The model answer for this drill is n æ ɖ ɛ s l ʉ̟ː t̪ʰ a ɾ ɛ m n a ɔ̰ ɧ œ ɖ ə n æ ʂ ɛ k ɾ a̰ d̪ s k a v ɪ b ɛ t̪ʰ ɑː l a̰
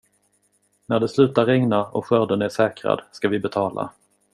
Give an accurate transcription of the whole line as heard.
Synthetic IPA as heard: n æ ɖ ɛ s l ʉ̟ː t̪ a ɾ ɛ ŋ n a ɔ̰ ɧ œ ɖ ə n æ ʂ ɛː k ɾ a̰ d̪ s k a v ɪ b ɛ t̪ʰ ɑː l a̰

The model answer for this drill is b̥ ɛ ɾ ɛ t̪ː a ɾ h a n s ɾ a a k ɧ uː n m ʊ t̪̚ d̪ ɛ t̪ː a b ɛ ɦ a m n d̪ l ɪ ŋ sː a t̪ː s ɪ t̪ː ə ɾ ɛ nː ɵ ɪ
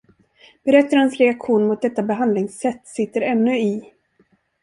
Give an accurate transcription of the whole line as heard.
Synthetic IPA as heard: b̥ ɛ ɾ ɛ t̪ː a ɾ h a n s ɾ ɛ a k ɧ uː n m ʊ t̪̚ d̪ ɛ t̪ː a b ɛ ɦ a n d̪ l ɪ ŋ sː ɛ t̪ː s ɪ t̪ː ə ɾ ɛ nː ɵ ɪ

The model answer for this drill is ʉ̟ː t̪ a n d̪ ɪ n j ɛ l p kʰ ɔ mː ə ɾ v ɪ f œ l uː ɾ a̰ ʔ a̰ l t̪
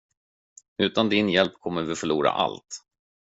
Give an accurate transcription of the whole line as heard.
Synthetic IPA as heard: ʉ̟ː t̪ a n d̪ ɪ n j ɛ l p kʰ ɔ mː ə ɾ v ɪ f œ ɭ uː ɾ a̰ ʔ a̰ l t̪

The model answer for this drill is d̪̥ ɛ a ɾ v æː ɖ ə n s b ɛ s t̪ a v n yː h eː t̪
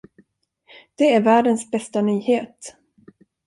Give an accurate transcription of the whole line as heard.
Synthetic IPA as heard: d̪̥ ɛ æ ɾ v æː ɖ ə n s b ɛ s t̪ a n yː h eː t̪

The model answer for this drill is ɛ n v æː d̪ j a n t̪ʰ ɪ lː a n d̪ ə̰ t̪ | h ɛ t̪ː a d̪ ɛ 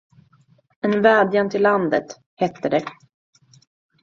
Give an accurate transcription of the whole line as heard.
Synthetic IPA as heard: ɛ n v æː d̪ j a n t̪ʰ ɪ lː a n d̪ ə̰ t̪ | h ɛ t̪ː ə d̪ ɛ

